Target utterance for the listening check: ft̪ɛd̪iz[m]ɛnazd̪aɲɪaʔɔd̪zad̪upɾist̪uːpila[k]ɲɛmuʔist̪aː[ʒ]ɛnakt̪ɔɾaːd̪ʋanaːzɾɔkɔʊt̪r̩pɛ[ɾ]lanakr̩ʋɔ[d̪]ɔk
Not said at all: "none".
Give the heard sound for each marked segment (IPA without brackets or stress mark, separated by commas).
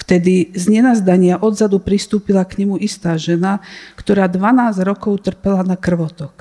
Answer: ɲ, k, ʒ, none, t̪